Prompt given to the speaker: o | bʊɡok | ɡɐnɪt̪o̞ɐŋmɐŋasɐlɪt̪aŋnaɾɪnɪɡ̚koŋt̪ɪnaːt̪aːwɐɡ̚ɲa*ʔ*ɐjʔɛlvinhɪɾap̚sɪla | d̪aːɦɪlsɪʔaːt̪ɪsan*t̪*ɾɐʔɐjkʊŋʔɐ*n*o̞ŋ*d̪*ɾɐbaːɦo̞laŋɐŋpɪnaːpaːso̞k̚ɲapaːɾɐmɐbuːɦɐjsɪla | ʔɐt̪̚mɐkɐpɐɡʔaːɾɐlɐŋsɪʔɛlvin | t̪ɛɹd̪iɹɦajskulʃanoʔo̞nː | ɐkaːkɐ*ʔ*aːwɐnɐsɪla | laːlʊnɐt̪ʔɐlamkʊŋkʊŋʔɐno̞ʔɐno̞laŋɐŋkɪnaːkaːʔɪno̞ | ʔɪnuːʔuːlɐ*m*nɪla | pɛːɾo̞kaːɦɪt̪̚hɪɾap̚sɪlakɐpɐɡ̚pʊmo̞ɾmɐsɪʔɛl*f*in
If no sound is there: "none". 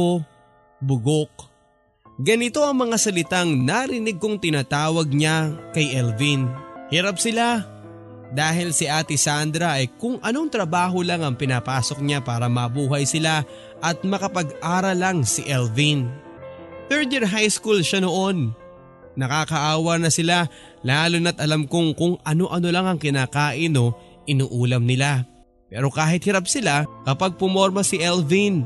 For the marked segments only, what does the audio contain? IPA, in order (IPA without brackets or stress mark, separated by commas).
k, d̪, n, t̪, ʔ, m, v